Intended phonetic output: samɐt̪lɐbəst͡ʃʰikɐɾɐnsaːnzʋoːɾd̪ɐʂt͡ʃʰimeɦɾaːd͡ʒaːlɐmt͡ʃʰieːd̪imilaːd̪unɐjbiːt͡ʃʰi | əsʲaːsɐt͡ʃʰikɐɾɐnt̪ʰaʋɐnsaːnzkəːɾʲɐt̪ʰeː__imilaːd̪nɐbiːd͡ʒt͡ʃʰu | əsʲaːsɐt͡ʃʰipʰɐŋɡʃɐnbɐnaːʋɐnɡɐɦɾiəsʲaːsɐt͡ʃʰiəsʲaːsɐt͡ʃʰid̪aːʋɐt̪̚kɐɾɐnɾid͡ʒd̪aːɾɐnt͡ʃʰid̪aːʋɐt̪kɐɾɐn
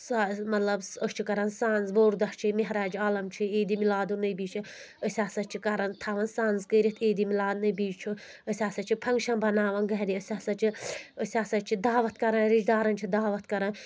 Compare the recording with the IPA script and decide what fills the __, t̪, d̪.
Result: d̪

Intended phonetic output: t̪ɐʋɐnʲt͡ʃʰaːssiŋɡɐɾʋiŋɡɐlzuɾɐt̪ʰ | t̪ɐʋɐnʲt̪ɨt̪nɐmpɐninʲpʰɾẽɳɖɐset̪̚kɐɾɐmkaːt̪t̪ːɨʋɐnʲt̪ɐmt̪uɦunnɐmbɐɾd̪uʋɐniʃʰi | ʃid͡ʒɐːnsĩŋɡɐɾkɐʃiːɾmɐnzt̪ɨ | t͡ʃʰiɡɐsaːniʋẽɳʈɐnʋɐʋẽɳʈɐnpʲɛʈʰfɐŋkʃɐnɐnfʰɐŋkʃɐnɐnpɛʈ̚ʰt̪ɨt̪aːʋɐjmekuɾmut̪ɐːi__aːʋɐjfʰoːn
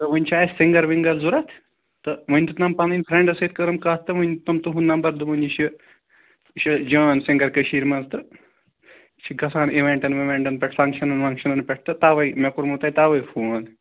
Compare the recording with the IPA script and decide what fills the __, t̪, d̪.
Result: t̪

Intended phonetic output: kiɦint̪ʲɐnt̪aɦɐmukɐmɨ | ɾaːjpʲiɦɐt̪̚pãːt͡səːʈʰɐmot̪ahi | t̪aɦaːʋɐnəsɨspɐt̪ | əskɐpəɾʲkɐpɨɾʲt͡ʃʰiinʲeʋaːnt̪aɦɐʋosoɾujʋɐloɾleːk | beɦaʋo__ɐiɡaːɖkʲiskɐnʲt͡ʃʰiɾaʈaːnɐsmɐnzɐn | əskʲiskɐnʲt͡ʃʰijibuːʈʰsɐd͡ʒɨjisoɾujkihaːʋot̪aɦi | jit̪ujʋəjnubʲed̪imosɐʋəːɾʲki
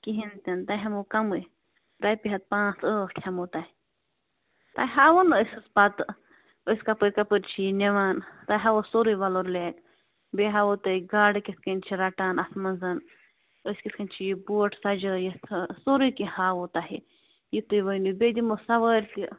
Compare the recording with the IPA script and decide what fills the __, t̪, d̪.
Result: t̪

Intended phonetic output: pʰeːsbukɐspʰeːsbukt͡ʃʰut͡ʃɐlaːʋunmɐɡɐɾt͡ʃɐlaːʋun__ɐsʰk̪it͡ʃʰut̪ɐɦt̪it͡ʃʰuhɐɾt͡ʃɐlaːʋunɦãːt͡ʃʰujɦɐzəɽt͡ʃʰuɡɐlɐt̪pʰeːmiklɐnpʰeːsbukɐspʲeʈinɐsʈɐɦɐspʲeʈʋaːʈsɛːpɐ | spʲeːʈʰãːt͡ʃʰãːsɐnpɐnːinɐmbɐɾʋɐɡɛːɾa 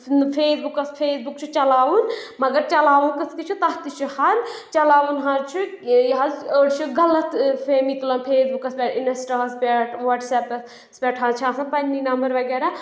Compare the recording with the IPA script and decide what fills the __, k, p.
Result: k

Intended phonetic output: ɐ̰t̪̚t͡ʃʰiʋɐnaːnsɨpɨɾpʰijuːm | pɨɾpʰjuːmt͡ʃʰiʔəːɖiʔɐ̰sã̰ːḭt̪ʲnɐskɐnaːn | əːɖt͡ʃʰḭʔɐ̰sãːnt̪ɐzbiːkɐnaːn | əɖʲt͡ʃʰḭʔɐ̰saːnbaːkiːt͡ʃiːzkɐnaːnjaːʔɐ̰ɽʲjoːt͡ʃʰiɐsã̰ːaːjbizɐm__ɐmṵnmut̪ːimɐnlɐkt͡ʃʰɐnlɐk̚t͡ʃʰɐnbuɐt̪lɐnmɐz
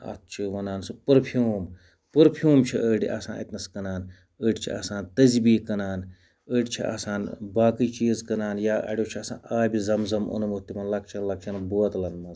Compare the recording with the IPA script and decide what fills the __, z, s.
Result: z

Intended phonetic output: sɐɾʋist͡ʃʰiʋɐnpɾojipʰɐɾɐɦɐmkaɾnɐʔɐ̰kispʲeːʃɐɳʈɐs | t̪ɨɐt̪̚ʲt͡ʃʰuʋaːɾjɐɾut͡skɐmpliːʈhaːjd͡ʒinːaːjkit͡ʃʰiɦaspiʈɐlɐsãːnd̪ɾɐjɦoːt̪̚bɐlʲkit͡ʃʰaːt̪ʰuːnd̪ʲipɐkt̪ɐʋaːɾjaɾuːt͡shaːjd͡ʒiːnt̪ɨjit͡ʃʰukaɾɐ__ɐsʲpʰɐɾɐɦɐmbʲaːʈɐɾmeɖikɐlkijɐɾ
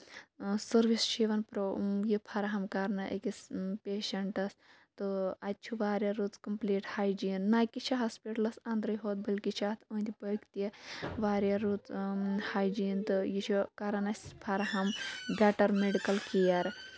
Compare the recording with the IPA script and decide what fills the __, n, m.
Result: n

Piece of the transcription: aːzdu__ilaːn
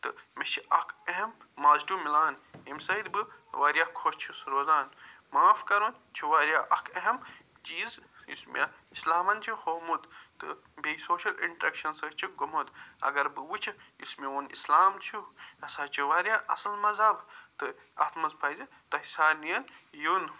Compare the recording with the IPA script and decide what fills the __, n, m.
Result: m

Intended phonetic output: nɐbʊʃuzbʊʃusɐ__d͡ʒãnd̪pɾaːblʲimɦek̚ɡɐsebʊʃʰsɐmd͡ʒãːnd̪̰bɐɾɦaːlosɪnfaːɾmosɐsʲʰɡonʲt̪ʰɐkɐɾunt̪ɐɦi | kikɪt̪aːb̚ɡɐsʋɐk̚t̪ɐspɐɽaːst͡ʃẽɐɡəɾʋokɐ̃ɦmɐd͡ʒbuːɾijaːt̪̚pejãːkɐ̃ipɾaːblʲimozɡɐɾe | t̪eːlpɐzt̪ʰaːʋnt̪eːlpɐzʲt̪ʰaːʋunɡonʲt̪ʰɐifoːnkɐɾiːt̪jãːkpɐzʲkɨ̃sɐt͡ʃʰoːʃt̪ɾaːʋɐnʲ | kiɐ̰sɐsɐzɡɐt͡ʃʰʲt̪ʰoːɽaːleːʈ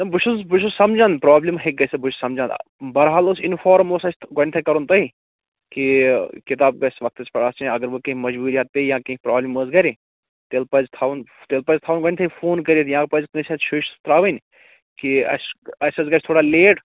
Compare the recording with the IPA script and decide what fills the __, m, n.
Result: m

